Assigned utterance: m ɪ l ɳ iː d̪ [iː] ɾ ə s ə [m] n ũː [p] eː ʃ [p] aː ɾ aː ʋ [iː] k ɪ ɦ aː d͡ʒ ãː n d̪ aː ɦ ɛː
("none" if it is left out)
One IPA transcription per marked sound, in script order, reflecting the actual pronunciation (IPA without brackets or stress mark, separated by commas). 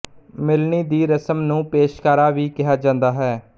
iː, m, p, k, iː